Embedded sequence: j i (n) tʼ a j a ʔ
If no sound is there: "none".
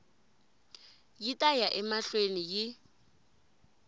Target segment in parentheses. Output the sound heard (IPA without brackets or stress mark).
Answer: none